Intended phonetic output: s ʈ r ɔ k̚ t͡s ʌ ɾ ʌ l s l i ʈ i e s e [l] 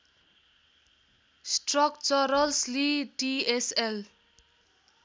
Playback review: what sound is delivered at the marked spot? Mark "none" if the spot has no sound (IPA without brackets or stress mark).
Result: l